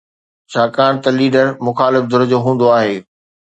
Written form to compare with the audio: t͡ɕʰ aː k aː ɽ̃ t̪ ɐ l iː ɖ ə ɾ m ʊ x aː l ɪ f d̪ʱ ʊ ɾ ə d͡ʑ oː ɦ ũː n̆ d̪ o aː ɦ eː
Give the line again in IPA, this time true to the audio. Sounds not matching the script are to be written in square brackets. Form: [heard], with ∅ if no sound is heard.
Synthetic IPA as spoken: t͡ɕʰ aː k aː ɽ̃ t̪ ɐ l iː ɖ ə ɾ m ʊ x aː l ɪ f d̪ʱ ʊ ɾ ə d͡ʑ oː ɦ ũː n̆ d̪ o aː ɦ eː